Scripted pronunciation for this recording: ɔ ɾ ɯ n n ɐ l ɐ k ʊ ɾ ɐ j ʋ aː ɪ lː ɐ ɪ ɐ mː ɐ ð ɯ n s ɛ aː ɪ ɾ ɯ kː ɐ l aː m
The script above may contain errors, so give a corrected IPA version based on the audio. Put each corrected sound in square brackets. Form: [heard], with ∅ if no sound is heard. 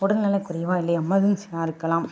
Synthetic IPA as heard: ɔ [ɽ] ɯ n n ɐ l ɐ k ʊ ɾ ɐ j ʋ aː ɪ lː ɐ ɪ ɐ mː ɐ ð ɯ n s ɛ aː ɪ ɾ ɯ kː ɐ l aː m